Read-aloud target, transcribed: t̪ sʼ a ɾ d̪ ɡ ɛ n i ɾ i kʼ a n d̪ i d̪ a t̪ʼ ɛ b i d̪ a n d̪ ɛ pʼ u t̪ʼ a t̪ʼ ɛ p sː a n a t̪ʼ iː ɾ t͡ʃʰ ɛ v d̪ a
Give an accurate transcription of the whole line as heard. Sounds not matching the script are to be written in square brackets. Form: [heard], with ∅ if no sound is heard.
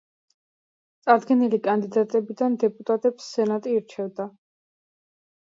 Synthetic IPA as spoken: t̪ sʼ a ɾ d̪ ɡ ɛ n i [l] i kʼ a n d̪ i d̪ a t̪ʼ ɛ b i d̪ a n d̪ ɛ pʼ u t̪ʼ a t̪ʼ ɛ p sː [ɛ] n a t̪ʼ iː ɾ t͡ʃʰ ɛ v d̪ a